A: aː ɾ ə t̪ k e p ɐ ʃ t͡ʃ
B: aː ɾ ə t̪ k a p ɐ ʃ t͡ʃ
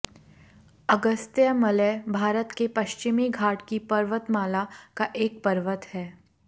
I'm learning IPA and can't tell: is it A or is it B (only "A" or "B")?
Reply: A